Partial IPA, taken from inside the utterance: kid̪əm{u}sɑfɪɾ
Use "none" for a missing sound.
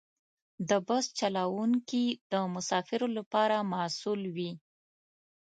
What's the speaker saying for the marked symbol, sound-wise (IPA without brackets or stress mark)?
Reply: ʊ